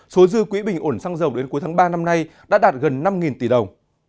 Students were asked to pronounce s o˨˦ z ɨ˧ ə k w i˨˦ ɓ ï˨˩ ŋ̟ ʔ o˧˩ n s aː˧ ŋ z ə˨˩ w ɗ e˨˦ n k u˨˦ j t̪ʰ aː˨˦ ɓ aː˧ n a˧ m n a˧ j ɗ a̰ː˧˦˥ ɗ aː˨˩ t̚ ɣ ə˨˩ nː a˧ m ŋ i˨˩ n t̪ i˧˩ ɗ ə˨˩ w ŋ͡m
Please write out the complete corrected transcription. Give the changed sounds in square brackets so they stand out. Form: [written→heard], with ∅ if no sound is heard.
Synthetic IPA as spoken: s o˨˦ z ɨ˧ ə k w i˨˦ ɓ ï˨˩ ŋ̟ ʔ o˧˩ n s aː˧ ŋ z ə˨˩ w ɗ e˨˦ n k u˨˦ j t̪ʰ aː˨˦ ɓ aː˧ n a˧ m n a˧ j ɗ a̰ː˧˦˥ ɗ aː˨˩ t̚ ɣ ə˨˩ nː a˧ m ŋ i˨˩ n t̪ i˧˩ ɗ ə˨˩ w ŋ͡m